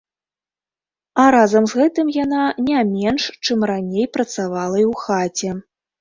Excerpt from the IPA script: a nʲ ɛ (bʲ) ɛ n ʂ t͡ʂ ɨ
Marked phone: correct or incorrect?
incorrect